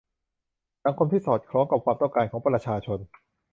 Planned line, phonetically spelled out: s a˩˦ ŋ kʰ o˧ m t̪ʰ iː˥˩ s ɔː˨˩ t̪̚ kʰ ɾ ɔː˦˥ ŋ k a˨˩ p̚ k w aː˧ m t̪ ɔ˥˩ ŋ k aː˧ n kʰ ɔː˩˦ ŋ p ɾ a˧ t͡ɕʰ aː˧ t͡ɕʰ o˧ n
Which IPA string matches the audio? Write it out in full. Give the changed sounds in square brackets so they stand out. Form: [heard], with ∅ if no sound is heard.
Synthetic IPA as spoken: s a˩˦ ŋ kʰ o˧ m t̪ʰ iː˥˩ s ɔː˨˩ t̪̚ kʰ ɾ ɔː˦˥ ŋ k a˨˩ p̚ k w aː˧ m t̪ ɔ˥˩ ŋ k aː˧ n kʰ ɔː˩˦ ŋ p ɾ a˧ t͡ɕʰ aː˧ t͡ɕʰ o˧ n